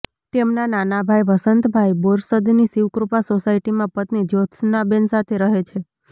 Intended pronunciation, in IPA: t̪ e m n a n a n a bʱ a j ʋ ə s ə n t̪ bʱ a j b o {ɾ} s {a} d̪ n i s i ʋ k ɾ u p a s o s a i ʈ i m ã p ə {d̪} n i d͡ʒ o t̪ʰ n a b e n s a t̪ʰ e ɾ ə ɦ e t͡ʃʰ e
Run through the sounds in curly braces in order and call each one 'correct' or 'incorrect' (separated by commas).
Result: correct, incorrect, incorrect